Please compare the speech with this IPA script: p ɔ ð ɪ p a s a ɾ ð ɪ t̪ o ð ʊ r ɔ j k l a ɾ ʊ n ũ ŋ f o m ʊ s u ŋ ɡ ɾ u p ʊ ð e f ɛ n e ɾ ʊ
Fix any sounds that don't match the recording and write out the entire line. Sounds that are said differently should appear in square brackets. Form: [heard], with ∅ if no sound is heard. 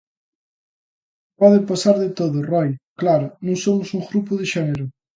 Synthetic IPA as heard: p ɔ ð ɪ p a s a ɾ ð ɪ t̪ o ð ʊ r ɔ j k l a ɾ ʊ n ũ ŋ [s] o m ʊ s u ŋ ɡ ɾ u p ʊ ð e [ʃ] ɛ n e ɾ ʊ